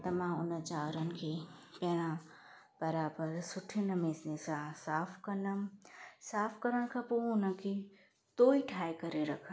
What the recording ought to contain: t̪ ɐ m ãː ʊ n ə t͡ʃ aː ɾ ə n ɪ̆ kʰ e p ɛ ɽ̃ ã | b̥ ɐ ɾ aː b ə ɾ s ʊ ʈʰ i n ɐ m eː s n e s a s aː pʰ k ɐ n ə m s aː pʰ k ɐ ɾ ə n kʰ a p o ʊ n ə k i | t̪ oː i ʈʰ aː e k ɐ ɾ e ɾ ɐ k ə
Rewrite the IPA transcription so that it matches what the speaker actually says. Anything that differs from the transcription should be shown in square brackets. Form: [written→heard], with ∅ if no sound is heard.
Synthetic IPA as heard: t̪ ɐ m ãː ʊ n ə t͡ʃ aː ɾ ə n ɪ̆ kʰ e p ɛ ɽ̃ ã | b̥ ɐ ɾ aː b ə ɾ s ʊ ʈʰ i n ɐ m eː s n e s a s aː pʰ k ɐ n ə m s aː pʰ k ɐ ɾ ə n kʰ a p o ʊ n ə k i | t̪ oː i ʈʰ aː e k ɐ ɾ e ɾ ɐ [k→kʰ] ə

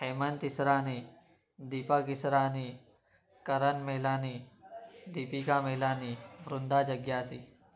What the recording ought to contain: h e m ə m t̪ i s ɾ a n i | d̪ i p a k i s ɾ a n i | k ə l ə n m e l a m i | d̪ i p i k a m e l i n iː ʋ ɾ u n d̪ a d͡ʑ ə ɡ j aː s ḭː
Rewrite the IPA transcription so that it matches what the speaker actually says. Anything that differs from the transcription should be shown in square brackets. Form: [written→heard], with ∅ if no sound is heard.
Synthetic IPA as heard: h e m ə [m→n] t̪ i s ɾ a n i | d̪ i p a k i s ɾ a n i | k ə [l→ɾ] ə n m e l a [m→n] i | d̪ i p i k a m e l [i→a] n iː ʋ ɾ u n d̪ a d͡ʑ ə ɡ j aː s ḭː

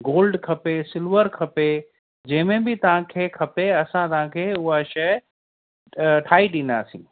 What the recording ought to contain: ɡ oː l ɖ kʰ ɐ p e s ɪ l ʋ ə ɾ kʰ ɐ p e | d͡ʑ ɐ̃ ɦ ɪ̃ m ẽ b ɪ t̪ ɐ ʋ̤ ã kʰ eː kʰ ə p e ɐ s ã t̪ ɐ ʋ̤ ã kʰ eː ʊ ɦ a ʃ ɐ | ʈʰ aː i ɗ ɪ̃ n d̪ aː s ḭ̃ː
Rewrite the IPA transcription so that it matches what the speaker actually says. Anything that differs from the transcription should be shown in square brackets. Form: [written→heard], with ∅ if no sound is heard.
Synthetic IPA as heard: ɡ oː l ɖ kʰ ɐ p e s ɪ l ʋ ə ɾ kʰ ɐ p e | d͡ʑ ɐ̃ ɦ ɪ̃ m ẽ b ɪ t̪ ɐ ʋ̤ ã kʰ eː kʰ [ə→ɐ] p e ɐ s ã t̪ ɐ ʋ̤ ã kʰ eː ʊ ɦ a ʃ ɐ | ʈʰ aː i ɗ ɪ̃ n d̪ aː s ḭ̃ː

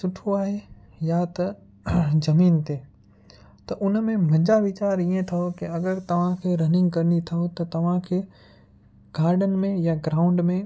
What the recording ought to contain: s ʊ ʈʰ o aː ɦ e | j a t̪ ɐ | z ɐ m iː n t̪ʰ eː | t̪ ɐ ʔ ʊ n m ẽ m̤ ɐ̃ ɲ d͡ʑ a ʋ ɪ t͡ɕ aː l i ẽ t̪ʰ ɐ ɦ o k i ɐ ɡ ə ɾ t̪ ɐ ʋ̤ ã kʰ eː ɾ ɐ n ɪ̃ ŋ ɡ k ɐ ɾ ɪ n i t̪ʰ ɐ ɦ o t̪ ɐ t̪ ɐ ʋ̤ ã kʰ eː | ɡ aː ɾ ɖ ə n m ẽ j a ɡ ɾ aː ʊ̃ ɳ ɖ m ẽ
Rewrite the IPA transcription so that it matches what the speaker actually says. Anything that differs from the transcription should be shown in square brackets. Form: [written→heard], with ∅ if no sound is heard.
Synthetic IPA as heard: s ʊ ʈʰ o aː ɦ e | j a t̪ ɐ | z ɐ m iː n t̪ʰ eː | t̪ ɐ ʔ ʊ n m ẽ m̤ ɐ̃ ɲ d͡ʑ a ʋ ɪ t͡ɕ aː [l→ɾ] i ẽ t̪ʰ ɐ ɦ o k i ɐ ɡ ə ɾ t̪ ɐ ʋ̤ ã kʰ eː ɾ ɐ n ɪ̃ ŋ ɡ k ɐ ɾ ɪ n i t̪ʰ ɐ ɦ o t̪ ɐ t̪ ɐ ʋ̤ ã kʰ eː | ɡ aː ɾ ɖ ə n m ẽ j a ɡ ɾ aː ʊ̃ ɳ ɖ m ẽ

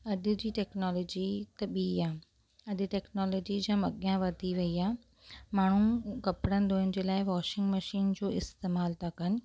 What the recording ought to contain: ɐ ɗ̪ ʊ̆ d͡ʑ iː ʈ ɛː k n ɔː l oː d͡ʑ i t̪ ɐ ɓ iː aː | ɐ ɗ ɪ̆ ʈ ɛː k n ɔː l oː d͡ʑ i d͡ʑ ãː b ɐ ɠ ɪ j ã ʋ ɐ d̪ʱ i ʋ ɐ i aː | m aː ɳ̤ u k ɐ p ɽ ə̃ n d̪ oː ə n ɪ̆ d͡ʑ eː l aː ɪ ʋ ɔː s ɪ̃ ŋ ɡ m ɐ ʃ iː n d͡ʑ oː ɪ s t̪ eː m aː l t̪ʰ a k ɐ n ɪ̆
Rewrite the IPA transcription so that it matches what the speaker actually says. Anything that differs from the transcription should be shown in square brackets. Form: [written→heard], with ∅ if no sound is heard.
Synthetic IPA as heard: ɐ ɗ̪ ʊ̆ d͡ʑ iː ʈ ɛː k n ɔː l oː d͡ʑ i t̪ ɐ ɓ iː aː | ɐ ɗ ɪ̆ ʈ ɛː k n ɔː l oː d͡ʑ i d͡ʑ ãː [b→m] ɐ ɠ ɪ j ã ʋ ɐ d̪ʱ i ʋ ɐ i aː | m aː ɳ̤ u k ɐ p ɽ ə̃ n d̪ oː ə n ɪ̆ d͡ʑ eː l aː ɪ ʋ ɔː [s→ʃ] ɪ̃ ŋ ɡ m ɐ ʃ iː n d͡ʑ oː ɪ s t̪ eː m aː l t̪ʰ a k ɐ n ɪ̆

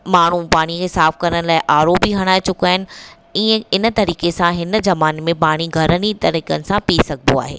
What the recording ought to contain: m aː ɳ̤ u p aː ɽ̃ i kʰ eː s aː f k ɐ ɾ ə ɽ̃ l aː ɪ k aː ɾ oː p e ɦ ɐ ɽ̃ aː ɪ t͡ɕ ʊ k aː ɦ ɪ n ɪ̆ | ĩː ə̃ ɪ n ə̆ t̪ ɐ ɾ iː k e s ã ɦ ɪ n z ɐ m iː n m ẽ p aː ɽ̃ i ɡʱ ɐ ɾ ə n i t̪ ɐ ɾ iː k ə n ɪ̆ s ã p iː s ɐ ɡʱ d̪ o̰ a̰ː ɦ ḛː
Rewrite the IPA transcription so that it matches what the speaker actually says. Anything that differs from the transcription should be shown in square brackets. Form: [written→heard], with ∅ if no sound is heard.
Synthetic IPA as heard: m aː ɳ̤ u p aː ɽ̃ i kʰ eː s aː f k ɐ ɾ ə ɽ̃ l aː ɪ [k→ʔ] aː ɾ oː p [e→i] ɦ ɐ ɽ̃ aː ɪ t͡ɕ ʊ k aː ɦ ɪ n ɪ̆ | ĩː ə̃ ɪ n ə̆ t̪ ɐ ɾ iː k e s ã ɦ ɪ n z ɐ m [iː→aː] n m ẽ p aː ɽ̃ i ɡʱ ɐ ɾ ə n i t̪ ɐ ɾ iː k ə n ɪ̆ s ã p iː s ɐ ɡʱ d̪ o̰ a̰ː ɦ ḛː

